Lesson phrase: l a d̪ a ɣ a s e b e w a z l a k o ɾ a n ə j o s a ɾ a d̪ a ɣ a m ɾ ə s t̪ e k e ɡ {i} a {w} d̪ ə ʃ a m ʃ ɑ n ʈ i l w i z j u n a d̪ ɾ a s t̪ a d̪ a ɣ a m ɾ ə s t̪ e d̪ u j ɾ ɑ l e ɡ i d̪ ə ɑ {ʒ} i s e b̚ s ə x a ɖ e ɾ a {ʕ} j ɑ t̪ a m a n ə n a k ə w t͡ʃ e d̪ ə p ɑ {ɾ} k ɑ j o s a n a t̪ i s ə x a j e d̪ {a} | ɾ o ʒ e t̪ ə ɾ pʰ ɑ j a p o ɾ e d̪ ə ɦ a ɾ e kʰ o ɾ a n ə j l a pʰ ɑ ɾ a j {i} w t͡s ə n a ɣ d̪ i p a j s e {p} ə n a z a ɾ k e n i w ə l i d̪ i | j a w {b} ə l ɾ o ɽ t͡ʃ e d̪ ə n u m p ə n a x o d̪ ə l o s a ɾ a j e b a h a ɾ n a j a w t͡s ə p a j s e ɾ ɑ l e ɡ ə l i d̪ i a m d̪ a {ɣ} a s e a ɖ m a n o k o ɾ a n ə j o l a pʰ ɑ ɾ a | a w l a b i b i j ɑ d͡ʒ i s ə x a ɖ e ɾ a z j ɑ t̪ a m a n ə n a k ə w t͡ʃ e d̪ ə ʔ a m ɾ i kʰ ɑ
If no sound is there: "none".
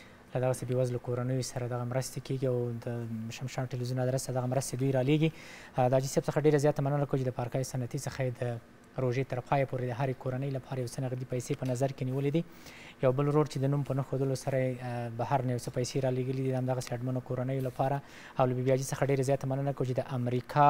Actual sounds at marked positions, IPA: i, w, d͡ʒ, z, ɾ, ə, a, p, b, ɣ

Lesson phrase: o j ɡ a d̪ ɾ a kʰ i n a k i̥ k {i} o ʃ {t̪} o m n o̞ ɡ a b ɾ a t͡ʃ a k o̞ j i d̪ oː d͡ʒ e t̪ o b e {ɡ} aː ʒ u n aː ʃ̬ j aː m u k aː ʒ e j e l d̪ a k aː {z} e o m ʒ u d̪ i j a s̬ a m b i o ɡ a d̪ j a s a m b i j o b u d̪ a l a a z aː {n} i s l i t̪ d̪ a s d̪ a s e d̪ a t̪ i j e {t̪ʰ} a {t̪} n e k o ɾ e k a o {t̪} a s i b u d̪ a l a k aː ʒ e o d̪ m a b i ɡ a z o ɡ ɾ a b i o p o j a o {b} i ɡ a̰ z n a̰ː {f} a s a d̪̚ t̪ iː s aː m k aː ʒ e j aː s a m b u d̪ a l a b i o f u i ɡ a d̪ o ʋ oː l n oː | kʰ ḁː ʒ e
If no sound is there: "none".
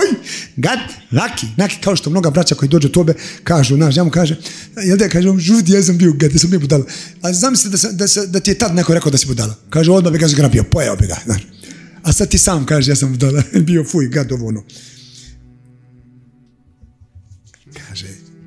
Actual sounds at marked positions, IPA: a, t̪, k, ʒ, m, t̪, d̪, d̪, b, ʃ

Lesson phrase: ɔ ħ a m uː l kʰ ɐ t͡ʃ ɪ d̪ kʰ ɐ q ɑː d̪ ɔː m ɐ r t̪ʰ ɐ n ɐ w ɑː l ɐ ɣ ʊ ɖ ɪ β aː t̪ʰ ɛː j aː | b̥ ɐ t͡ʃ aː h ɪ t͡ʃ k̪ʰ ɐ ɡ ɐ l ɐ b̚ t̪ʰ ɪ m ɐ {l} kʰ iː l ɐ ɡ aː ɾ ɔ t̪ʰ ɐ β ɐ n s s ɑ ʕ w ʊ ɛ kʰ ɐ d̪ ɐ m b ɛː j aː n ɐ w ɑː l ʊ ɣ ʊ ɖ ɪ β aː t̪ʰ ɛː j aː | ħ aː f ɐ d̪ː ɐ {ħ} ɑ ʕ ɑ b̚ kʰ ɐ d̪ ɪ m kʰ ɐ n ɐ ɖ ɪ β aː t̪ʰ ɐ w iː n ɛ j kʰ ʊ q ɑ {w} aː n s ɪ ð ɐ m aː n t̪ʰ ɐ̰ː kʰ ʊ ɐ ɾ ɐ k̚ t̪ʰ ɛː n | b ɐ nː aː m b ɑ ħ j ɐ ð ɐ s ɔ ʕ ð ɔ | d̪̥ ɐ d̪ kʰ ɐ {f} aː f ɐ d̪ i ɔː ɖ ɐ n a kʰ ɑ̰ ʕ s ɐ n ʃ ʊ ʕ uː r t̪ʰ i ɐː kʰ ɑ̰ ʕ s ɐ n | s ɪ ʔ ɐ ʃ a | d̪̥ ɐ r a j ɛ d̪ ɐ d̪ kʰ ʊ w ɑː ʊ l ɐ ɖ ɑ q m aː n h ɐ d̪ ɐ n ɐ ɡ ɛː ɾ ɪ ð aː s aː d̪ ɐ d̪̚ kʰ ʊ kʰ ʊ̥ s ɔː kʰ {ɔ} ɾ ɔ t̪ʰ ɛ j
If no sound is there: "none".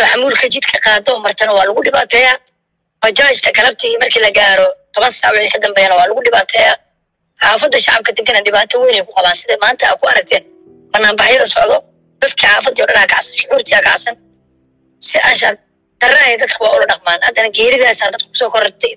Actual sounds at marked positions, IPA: r, ʃ, β, ħ, ɔ

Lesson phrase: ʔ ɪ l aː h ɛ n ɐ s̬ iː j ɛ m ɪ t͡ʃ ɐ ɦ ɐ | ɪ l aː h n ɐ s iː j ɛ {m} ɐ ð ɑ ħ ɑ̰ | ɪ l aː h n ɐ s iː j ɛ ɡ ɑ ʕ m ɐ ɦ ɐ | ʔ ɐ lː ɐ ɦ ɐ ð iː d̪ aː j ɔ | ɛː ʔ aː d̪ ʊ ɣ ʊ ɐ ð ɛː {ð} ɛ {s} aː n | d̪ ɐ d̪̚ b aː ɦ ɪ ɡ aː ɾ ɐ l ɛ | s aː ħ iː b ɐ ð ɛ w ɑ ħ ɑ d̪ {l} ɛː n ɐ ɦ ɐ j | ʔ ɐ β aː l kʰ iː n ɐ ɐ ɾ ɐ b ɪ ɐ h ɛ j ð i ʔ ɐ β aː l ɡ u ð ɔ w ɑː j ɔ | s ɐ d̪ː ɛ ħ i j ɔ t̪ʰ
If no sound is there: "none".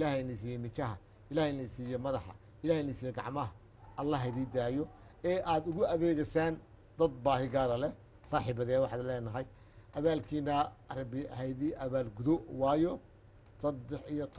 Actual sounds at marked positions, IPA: m, ɣ, s, l

